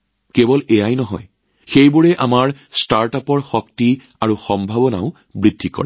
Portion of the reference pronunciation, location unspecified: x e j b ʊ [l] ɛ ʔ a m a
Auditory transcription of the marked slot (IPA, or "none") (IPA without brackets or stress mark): ɹ